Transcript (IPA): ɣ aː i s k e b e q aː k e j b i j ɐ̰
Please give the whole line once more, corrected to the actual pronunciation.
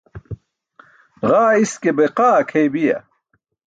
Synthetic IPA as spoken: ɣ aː i s k e b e q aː kʰ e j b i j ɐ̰